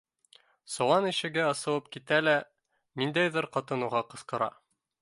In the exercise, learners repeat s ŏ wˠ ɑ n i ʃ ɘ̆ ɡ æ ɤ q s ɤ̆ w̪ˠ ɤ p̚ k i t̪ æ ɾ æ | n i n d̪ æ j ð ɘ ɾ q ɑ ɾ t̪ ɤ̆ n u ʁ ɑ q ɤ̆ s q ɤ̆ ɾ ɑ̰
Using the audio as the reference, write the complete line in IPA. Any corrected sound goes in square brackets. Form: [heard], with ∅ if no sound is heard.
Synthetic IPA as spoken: s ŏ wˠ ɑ n i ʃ ɘ̆ ɡ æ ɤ [∅] s ɤ̆ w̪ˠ ɤ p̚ k i t̪ æ [l] æ | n i n d̪ æ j ð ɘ ɾ q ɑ [∅] t̪ ɤ̆ n u ʁ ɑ q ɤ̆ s q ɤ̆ ɾ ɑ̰